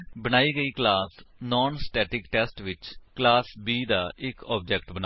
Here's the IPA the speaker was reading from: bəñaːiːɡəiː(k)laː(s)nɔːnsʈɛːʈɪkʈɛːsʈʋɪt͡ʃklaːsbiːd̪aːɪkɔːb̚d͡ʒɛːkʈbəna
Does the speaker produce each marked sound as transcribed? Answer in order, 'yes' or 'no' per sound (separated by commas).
yes, yes